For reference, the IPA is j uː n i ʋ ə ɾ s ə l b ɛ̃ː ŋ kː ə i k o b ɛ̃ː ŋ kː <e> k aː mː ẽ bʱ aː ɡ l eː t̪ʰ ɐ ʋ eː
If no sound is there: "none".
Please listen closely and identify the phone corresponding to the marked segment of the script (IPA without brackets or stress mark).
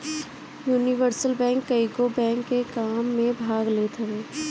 e